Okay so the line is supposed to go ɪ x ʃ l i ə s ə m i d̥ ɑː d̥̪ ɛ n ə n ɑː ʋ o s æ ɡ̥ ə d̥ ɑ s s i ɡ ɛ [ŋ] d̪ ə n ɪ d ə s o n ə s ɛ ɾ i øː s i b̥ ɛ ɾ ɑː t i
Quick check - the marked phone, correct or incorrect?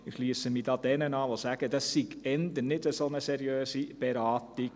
incorrect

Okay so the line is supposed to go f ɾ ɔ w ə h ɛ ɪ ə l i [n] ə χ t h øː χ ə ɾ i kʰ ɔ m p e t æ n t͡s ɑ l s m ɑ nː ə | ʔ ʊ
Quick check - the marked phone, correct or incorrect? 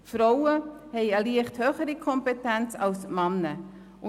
incorrect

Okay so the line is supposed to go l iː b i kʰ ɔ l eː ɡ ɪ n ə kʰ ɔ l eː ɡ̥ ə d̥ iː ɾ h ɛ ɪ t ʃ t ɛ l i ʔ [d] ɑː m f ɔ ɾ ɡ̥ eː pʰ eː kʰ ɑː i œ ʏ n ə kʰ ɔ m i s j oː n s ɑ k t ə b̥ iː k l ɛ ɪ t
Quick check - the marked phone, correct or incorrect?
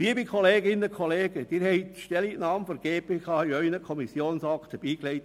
incorrect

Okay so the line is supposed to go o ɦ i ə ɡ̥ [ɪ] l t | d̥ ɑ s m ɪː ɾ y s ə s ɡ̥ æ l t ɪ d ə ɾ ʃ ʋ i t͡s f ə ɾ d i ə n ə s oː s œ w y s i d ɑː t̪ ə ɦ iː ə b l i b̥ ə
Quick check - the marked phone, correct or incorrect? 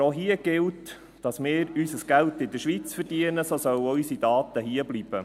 correct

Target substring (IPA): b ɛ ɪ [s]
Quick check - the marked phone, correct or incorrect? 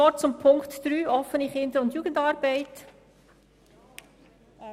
incorrect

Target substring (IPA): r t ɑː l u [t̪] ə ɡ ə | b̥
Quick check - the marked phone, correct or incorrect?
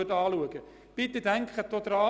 incorrect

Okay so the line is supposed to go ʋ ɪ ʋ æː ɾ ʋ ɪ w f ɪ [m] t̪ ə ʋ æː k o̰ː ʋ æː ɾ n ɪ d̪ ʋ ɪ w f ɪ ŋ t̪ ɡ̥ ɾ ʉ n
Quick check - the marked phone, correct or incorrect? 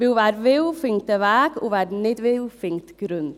incorrect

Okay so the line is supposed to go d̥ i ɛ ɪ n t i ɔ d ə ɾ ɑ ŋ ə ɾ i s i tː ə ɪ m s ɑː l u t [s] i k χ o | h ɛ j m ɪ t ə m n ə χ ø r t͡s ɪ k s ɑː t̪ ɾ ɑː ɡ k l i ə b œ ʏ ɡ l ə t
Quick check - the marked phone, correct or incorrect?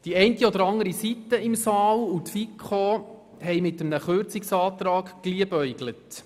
incorrect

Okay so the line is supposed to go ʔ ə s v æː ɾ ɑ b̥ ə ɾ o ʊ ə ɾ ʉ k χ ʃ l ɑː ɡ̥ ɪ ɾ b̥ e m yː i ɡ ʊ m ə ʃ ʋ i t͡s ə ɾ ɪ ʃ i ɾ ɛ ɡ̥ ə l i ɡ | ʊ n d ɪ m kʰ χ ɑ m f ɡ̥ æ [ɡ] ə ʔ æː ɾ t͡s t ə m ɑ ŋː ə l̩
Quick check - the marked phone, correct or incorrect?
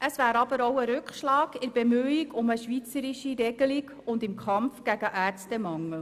correct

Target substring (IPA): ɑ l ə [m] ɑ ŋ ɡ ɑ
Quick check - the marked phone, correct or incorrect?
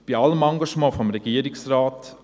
correct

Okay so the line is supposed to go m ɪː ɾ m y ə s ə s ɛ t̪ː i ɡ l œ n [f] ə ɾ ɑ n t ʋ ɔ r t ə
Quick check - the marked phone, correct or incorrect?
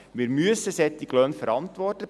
correct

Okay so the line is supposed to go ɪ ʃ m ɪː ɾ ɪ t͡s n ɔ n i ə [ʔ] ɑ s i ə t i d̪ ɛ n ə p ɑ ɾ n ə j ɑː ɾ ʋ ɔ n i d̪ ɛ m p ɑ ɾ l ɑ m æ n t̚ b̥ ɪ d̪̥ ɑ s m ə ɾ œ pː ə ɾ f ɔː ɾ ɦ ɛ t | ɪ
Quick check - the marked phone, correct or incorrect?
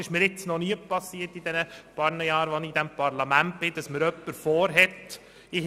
incorrect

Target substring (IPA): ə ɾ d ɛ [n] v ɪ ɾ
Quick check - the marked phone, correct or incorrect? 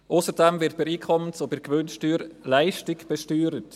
incorrect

